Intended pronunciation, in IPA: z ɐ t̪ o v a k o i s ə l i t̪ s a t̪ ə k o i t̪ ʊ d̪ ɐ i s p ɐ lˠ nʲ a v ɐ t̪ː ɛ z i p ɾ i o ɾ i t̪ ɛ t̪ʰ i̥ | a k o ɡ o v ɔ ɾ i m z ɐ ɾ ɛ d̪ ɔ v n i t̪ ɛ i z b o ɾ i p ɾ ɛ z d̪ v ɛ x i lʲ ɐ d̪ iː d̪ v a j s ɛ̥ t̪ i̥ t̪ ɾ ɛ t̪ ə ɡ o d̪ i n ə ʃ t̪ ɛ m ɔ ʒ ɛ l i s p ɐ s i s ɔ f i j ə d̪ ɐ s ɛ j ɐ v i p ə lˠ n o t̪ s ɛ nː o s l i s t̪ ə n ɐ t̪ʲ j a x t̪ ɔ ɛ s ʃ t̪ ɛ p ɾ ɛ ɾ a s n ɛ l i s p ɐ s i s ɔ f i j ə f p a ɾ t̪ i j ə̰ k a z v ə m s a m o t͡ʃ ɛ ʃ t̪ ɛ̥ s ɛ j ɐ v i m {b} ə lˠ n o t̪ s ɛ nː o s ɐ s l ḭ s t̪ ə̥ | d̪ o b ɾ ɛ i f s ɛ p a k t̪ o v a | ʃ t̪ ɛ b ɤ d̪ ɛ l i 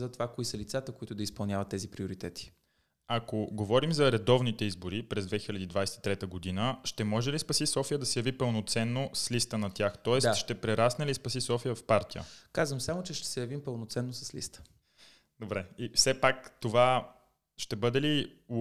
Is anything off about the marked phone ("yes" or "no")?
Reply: yes